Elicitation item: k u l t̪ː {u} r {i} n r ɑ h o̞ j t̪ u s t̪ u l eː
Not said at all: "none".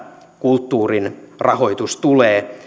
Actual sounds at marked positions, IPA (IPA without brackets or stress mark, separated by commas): uː, i